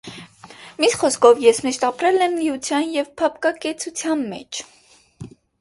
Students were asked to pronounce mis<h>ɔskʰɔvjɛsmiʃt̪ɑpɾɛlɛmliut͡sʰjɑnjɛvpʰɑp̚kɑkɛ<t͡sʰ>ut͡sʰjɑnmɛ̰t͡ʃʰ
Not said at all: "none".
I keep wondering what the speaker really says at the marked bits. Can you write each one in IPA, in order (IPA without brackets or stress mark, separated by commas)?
χ, t͡sʰ